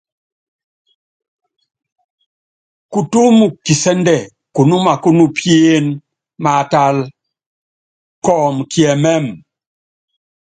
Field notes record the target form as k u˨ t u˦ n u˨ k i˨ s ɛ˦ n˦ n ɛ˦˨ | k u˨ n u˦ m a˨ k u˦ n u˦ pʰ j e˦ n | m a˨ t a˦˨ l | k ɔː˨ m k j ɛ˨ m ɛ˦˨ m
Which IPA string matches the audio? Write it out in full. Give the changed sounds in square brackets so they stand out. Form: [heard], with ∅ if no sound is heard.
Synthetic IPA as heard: k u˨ t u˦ [m] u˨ k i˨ s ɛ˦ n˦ [d] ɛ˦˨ | k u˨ n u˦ m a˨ k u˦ n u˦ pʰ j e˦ n | m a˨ t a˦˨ l | k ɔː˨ m k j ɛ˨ m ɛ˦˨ m